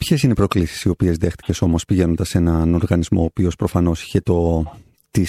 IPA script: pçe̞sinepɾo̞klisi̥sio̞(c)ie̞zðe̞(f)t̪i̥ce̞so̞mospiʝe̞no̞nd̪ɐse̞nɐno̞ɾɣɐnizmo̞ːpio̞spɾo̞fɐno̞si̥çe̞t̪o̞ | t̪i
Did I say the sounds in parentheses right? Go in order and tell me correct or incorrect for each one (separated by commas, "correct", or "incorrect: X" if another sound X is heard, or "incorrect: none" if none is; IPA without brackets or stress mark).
incorrect: p, incorrect: x